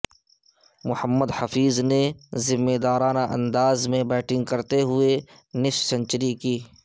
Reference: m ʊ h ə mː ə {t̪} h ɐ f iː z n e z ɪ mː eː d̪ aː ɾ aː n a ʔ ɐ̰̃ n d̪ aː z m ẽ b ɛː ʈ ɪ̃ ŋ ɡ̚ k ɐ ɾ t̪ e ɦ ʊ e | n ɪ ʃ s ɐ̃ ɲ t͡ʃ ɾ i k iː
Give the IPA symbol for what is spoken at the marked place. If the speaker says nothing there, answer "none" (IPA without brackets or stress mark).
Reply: d̪